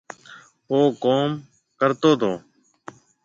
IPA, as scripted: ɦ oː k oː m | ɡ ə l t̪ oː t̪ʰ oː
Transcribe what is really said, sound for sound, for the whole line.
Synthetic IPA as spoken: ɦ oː k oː m | k ə ɾ t̪ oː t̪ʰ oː